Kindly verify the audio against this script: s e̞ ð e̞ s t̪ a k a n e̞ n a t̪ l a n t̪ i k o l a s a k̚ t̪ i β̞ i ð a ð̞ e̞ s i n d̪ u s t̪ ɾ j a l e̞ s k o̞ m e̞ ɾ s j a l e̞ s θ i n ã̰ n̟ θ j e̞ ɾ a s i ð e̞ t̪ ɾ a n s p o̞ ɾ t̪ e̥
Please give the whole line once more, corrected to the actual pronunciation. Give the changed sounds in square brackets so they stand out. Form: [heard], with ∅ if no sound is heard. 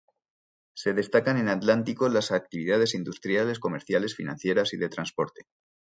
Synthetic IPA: s e̞ ð e̞ s t̪ a k a n e̞ n a t̪ l a n t̪ i k o l a s a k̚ t̪ i β̞ i ð a ð̞ e̞ s i n d̪ u s t̪ ɾ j a l e̞ s k o̞ m e̞ ɾ [θ] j a l e̞ s [f] i n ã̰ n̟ θ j e̞ ɾ a s i ð e̞ t̪ ɾ a n s p o̞ ɾ t̪ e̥